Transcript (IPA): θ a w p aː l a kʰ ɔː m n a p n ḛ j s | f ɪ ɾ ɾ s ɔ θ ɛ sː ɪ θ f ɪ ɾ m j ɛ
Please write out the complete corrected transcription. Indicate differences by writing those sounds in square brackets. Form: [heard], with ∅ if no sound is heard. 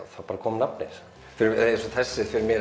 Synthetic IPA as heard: θ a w p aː [ɾ] a kʰ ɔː m n a p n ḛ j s | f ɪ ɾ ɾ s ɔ θ ɛ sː ɪ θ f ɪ ɾ m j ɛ